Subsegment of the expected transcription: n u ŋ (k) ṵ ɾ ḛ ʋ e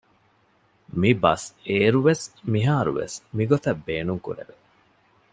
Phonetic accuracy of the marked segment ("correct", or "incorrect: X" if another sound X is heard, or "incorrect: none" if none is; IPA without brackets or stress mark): correct